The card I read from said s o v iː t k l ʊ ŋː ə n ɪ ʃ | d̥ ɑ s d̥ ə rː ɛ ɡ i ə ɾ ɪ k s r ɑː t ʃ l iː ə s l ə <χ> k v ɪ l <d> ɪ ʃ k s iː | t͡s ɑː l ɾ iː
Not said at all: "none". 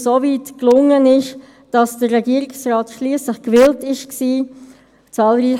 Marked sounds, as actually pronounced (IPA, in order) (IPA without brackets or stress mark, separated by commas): χ, t